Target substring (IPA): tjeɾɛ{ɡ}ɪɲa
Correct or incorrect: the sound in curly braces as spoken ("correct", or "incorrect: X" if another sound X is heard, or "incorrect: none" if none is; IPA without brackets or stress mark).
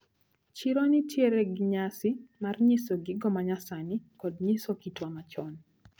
correct